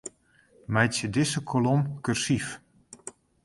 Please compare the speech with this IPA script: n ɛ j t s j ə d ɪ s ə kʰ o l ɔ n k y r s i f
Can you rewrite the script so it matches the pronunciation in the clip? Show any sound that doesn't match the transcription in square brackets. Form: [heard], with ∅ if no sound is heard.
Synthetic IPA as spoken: [m] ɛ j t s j ə d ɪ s ə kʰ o l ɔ [m] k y r s i f